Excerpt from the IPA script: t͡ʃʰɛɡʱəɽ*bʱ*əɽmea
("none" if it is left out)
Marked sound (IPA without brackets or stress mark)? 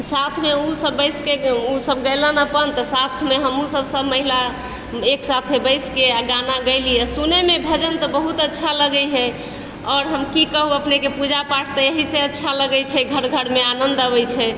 ɡʱ